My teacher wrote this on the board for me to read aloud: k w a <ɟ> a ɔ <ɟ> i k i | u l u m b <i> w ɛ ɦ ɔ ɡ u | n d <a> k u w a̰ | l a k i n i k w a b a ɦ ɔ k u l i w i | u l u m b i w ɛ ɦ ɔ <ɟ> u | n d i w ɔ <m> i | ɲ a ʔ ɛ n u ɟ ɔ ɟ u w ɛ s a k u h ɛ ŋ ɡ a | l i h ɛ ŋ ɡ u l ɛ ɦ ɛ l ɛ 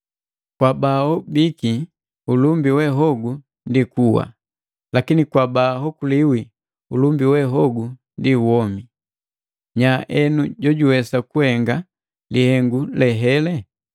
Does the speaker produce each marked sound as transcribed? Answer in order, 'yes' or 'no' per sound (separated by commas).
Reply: no, no, yes, no, no, yes